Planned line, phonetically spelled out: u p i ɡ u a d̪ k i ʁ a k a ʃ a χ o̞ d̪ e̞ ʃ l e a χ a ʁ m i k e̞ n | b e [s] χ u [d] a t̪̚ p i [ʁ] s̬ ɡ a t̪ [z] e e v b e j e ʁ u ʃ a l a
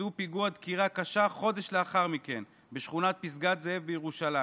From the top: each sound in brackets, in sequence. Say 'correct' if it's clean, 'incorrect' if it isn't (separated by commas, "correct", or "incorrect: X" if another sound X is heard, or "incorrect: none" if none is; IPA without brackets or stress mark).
incorrect: ʃ, incorrect: n, incorrect: none, correct